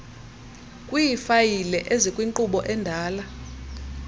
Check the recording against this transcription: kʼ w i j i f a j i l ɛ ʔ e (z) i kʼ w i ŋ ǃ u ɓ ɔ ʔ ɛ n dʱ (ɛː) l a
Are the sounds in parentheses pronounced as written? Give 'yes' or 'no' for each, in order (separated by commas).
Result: yes, no